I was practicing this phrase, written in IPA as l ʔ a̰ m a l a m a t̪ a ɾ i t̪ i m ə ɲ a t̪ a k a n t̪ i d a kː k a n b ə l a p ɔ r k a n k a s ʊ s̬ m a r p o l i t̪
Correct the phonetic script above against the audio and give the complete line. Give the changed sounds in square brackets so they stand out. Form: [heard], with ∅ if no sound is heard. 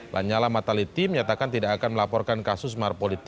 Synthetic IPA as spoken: l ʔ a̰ [ɲ] a l a m a t̪ a [l] i t̪ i m ə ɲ a t̪ a k a n t̪ i d a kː k a n [m] ə l a p ɔ r k a n k a s ʊ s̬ m a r p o l i t̪